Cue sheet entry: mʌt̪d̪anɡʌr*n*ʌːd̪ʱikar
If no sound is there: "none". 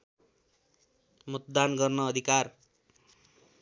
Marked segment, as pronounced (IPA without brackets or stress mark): n